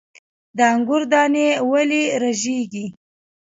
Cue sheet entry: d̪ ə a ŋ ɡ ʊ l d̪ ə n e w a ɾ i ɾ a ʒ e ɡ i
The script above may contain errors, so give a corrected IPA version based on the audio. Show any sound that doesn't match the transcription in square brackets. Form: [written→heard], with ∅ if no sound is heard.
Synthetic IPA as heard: d̪ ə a ŋ ɡ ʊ [l→ɾ] d̪ [ə→ɑ] n e w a [ɾ→l] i ɾ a ʒ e ɡ i